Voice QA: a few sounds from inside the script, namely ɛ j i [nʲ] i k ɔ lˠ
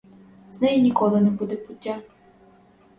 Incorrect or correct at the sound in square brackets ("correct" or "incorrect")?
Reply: correct